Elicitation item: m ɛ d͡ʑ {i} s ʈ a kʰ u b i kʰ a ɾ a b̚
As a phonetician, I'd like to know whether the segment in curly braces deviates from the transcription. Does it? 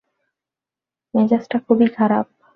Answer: yes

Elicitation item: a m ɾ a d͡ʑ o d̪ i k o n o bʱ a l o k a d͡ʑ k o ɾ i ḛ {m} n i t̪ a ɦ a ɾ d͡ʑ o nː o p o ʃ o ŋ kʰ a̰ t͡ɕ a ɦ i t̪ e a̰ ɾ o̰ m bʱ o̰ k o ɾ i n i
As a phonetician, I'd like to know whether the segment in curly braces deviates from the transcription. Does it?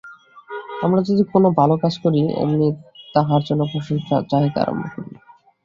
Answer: no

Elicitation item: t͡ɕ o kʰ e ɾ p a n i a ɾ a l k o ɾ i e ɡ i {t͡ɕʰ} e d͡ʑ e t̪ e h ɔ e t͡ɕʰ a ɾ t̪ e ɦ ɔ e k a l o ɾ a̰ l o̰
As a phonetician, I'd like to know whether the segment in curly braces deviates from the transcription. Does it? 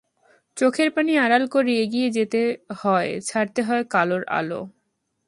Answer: yes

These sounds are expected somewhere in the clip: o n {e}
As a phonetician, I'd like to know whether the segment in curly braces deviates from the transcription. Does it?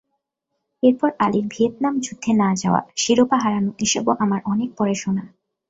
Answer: yes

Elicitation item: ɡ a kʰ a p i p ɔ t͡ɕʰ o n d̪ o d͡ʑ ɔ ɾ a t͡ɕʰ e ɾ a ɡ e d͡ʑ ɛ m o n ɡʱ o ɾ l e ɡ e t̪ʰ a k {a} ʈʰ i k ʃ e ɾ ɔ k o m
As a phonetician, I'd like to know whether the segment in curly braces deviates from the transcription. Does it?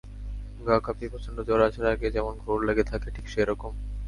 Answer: yes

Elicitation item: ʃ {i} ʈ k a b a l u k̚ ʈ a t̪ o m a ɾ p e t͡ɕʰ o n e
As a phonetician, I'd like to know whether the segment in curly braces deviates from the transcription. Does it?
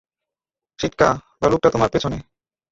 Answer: no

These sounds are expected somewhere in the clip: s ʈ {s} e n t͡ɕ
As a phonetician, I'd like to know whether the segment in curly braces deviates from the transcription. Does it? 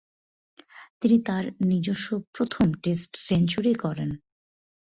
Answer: no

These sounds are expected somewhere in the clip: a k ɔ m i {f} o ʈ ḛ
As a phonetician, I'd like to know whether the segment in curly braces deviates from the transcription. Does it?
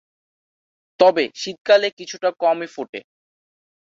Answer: no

